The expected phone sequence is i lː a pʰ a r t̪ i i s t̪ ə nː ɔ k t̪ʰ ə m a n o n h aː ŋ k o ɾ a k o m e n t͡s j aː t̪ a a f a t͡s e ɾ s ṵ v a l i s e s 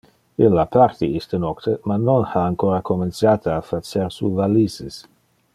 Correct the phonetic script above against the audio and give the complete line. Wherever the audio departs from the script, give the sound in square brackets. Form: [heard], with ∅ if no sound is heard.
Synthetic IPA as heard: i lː a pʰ a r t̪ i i s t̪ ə [n] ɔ k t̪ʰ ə m a n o n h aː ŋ k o ɾ a k o m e n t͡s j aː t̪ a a f a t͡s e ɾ s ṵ v a l i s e s